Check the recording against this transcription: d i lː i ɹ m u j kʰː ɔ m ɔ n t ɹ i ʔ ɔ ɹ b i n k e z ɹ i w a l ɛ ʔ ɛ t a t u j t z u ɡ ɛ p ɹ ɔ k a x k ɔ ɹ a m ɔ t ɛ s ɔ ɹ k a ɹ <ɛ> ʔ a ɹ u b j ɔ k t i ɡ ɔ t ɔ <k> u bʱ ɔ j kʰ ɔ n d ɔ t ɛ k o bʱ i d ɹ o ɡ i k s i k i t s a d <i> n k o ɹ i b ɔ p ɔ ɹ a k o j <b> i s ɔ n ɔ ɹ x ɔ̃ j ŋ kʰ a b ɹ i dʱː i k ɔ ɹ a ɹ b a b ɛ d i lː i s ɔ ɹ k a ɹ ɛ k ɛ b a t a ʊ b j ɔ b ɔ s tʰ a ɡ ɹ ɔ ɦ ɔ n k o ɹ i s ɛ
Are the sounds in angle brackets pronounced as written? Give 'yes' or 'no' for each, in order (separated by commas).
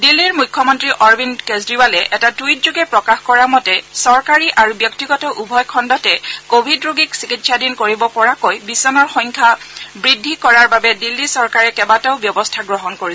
no, no, yes, yes